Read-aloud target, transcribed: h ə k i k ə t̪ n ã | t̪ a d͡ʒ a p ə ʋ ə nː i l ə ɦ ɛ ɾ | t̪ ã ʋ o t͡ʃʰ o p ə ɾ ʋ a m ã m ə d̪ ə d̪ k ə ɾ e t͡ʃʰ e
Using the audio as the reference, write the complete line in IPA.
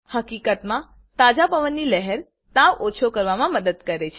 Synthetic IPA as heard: h ə k i k ə t̪ m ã | t̪ a d͡ʒ a p ə ʋ ə nː i l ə ɦ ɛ ɾ | t̪ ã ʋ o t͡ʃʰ o k ə ɾ ʋ a m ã m ə d̪ ə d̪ k ə ɾ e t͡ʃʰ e